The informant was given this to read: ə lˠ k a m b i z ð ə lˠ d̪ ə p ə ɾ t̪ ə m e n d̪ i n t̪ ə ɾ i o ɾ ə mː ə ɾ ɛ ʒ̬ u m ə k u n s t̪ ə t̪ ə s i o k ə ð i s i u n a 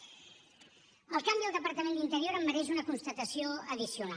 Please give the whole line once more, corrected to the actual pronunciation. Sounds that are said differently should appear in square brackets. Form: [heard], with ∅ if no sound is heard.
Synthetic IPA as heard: ə lˠ k a m b i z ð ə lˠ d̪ ə p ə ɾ t̪ ə m e n d̪ i n t̪ ə ɾ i o ɾ ə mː ə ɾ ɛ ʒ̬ u [n] ə k u n s t̪ ə t̪ ə s i o [∅] ə ð i s i u n a

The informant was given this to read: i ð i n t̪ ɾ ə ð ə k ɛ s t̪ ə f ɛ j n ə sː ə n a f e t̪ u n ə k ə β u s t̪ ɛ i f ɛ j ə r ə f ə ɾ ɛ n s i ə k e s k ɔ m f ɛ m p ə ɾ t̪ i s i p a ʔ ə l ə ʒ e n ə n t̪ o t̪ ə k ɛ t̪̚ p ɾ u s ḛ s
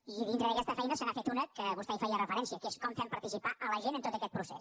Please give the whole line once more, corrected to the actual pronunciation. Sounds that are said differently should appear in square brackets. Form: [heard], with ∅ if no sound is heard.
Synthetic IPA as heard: i ð i n t̪ ɾ ə ð ə k ɛ s t̪ ə f ɛ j n ə [s] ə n a f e t̪ u n ə k ə β u s t̪ ɛ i f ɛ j ə r ə f ə ɾ ɛ n s i ə k e s k ɔ m f ɛ m p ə ɾ t̪ i s i p a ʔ ə l ə ʒ e n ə n t̪ o t̪ ə k ɛ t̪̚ p ɾ u s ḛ s

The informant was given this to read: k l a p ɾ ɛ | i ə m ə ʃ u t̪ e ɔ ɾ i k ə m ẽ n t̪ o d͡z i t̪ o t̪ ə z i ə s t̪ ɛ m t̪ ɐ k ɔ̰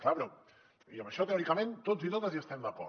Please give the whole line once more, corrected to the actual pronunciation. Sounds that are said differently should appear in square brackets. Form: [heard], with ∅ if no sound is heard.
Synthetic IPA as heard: k l a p ɾ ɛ | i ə m ə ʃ [ɔ] t̪ e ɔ ɾ i k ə m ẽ n t̪ o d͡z i t̪ o t̪ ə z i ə s t̪ ɛ m [d̪] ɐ k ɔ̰

